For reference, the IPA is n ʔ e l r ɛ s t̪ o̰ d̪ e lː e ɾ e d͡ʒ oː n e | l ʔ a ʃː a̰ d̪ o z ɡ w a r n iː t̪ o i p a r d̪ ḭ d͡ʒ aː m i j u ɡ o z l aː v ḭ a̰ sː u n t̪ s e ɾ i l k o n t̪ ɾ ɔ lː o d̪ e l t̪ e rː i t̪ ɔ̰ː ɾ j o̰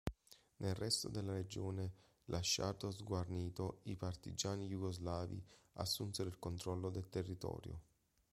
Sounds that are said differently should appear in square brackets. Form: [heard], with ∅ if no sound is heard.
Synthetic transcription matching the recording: n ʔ e l r ɛ s t̪ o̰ d̪ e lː [a] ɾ e d͡ʒ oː n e | l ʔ a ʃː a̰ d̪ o z ɡ w a r n iː t̪ o i p a r [t̪] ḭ d͡ʒ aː [n] i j u ɡ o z l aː v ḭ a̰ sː u n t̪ s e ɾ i l k o n t̪ ɾ ɔ lː o d̪ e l t̪ e rː i t̪ ɔ̰ː ɾ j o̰